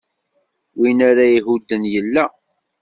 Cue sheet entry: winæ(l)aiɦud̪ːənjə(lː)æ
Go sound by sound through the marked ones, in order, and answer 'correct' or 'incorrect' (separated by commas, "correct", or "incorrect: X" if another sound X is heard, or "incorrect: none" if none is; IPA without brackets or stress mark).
incorrect: ɾ, correct